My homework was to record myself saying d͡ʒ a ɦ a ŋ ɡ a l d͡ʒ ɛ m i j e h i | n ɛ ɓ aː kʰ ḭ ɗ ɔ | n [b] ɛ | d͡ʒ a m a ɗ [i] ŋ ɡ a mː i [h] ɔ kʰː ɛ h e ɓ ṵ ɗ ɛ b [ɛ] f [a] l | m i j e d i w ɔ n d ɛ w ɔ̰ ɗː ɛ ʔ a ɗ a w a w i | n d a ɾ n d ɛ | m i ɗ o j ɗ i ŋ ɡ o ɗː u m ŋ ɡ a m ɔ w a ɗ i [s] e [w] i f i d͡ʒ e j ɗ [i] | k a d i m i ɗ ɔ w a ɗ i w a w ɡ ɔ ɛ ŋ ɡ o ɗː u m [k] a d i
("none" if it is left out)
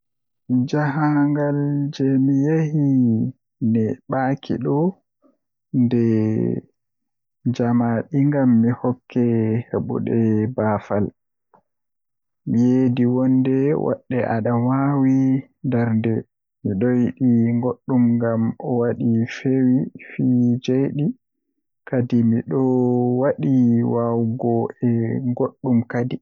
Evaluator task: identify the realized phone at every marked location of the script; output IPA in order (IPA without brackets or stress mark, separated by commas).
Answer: d, i, h, a, a, f, w, i, k